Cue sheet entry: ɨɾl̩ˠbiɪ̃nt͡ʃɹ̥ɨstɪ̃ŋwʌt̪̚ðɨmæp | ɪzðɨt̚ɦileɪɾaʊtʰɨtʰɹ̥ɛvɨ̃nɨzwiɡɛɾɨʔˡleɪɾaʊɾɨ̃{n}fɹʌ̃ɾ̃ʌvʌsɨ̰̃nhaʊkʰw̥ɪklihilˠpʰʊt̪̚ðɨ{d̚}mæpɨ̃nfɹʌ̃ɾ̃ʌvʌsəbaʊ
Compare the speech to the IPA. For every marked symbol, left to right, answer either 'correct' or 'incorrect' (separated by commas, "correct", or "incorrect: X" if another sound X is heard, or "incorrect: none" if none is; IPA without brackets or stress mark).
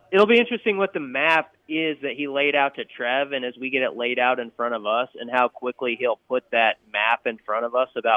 correct, incorrect: t̚